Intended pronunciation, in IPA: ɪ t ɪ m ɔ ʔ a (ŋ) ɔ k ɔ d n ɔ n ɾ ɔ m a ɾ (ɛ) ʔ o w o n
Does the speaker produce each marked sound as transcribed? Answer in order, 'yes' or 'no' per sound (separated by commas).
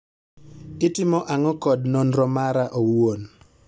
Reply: yes, no